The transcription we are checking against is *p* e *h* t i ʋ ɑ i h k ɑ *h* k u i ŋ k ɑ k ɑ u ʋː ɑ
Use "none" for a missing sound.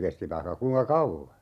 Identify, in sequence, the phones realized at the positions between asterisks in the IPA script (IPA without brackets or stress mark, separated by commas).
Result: k, s, none